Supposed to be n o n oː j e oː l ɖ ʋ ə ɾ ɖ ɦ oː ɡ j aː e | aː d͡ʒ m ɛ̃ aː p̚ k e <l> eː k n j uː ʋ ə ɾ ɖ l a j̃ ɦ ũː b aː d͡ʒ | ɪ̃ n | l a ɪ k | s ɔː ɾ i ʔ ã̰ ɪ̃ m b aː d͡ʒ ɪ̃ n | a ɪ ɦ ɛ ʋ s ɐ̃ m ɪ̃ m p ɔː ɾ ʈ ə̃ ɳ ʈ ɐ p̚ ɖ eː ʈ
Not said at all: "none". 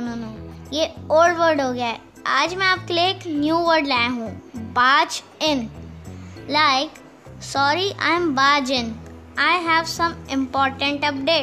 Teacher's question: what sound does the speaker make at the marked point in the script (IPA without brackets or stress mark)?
l